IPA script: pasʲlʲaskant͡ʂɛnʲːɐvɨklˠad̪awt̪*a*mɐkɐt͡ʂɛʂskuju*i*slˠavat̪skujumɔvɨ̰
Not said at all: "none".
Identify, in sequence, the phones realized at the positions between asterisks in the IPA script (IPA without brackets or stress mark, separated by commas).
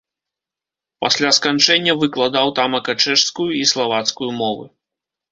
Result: a, i